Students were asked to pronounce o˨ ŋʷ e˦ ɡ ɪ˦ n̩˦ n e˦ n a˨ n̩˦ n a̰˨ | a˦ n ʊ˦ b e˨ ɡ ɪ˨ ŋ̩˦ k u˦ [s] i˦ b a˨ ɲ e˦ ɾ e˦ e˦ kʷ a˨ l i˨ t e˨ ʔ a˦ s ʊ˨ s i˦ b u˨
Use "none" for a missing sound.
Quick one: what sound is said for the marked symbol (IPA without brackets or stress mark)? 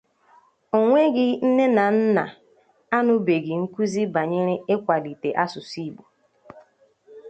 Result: z